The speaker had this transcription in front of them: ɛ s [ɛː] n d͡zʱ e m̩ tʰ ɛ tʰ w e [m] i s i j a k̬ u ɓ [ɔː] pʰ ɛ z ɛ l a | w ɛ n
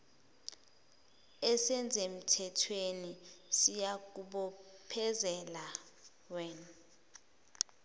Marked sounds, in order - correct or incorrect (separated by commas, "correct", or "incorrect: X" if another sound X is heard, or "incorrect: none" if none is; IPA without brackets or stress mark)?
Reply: incorrect: ɛ, incorrect: n, incorrect: ɔ